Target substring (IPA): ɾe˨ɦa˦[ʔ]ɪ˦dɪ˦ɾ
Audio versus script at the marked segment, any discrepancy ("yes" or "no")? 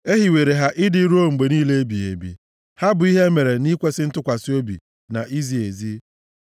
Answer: no